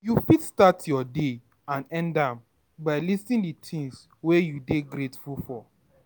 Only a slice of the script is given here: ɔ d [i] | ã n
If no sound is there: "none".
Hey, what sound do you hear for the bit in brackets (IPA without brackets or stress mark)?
e